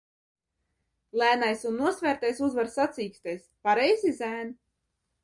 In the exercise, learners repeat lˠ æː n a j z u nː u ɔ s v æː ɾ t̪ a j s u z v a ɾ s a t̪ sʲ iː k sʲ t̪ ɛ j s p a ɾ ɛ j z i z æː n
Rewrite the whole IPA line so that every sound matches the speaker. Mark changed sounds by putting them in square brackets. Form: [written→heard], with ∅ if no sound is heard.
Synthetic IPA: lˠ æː n a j [z→s] u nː u ɔ s v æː ɾ t̪ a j s u z v a ɾ s a t̪ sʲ iː k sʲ t̪ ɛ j s p a ɾ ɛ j z i z æː n